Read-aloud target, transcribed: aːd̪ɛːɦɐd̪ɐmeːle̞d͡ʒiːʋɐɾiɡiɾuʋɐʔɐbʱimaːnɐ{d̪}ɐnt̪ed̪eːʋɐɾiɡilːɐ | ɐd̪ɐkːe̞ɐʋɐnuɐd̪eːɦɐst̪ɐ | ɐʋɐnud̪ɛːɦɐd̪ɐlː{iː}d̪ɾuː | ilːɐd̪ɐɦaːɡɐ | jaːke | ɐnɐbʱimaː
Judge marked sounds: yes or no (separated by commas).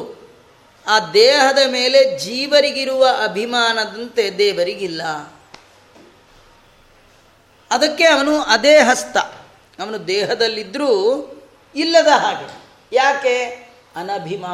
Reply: yes, no